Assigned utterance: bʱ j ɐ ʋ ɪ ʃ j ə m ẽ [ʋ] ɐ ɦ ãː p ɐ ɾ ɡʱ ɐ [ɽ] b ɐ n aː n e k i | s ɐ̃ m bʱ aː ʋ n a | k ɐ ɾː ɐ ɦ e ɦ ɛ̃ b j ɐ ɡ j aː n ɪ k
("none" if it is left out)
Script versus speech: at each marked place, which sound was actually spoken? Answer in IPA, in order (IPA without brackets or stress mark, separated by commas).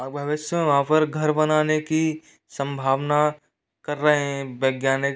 ʋ, ɾ